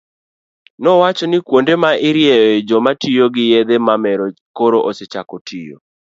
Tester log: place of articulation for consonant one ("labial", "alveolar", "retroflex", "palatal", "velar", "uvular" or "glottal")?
alveolar